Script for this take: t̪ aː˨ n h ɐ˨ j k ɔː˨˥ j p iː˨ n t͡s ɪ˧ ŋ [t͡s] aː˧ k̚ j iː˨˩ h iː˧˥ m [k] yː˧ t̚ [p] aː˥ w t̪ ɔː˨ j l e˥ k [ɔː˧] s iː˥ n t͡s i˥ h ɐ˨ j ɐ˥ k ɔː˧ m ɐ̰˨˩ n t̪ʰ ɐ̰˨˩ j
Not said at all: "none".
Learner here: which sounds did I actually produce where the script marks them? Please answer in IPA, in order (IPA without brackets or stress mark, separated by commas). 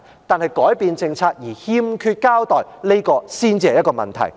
t͡sʰ, kʰ, k, ɔː˧